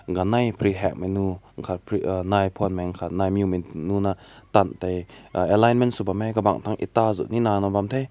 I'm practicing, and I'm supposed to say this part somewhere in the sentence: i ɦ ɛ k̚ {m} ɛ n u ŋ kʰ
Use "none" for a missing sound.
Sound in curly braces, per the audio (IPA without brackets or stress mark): m